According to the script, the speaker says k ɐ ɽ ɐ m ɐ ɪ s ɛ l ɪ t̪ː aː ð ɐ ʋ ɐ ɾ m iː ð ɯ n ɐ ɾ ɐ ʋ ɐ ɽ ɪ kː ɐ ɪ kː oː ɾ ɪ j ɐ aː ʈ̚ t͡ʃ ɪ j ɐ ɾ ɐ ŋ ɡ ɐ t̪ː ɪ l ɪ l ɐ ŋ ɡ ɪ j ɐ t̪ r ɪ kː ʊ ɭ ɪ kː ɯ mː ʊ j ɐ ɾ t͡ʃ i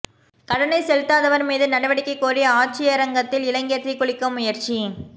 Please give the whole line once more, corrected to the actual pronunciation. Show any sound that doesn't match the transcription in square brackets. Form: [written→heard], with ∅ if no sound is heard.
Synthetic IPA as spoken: k ɐ ɽ ɐ [m→n] ɐ ɪ s ɛ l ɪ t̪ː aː ð ɐ ʋ ɐ ɾ m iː ð ɯ n ɐ [ɾ→ɽ] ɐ ʋ ɐ ɽ ɪ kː ɐ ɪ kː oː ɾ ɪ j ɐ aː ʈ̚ t͡ʃ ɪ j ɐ ɾ ɐ ŋ ɡ ɐ t̪ː ɪ l ɪ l ɐ ŋ ɡ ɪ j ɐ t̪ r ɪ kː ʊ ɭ ɪ kː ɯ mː ʊ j ɐ ɾ t͡ʃ i